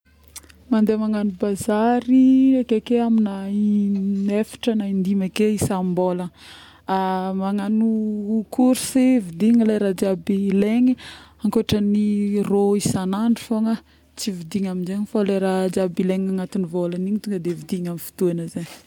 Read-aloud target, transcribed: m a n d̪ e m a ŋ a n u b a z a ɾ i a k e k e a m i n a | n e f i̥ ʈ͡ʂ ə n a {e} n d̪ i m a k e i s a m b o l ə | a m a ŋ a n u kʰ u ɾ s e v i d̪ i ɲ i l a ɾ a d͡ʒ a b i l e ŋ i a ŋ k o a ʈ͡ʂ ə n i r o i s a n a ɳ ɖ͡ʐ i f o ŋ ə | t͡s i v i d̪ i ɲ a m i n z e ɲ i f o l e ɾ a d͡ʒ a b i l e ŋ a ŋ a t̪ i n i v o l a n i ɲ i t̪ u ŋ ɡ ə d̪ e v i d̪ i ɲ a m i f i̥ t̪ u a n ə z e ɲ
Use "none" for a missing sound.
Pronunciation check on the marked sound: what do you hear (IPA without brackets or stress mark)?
i